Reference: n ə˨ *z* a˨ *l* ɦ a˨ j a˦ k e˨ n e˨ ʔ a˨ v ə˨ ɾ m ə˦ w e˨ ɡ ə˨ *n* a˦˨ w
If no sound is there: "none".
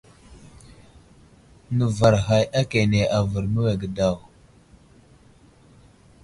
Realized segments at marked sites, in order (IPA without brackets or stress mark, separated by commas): v, ɾ, d